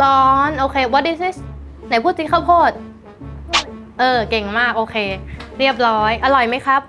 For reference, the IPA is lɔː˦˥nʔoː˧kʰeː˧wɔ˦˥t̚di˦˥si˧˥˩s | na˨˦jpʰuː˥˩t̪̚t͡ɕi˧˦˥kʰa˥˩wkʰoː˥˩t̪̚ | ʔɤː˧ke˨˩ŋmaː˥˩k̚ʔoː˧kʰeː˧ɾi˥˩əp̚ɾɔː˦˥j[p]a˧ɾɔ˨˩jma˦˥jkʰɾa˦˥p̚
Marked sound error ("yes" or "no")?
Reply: yes